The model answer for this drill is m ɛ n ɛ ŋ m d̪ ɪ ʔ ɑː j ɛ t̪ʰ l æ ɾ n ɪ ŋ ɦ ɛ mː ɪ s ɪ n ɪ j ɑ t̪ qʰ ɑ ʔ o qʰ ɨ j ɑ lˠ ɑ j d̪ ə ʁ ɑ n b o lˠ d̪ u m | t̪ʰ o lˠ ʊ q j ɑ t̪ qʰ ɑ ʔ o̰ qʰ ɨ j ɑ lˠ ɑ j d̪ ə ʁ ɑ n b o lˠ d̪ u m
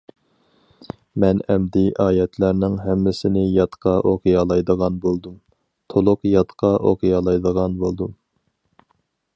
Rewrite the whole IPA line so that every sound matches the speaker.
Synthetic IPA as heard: m ɛ n ɛ m d̪ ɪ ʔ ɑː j ɛ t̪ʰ l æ ɾ n ɪ ŋ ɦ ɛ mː ɪ s ɪ n ɪ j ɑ t̪ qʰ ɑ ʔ o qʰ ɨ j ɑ lˠ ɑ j d̪ ə ʁ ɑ n b o lˠ d̪ u m | t̪ʰ o lˠ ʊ q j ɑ t̪ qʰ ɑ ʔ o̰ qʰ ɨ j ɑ lˠ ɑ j d̪ ə ʁ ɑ n b o lˠ d̪ u m